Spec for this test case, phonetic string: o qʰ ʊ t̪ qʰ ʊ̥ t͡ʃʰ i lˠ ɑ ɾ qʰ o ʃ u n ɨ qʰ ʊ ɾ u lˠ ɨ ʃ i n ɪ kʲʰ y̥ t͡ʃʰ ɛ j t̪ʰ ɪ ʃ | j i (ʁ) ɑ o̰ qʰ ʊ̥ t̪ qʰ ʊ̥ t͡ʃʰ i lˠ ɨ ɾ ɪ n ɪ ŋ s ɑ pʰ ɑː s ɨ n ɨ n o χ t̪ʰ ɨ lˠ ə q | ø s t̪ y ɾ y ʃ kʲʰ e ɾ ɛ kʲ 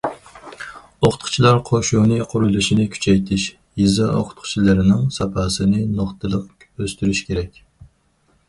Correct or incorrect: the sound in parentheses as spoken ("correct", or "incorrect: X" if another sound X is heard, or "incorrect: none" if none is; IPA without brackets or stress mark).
incorrect: z